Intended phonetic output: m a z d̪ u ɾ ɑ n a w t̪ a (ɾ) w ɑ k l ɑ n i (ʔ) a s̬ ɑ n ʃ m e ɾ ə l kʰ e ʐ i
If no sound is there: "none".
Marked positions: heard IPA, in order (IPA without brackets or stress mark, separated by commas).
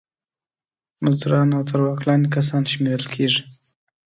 ɾ, k